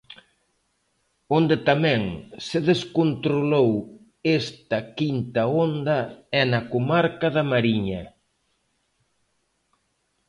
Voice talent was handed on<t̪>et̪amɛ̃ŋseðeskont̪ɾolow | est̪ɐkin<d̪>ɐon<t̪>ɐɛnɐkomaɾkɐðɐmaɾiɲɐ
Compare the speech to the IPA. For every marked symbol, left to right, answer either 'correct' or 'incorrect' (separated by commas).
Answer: incorrect, incorrect, incorrect